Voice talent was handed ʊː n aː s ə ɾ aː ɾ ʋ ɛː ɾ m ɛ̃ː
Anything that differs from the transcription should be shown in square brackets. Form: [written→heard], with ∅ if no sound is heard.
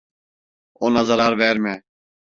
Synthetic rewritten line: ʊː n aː [s→z] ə ɾ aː ɾ ʋ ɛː ɾ m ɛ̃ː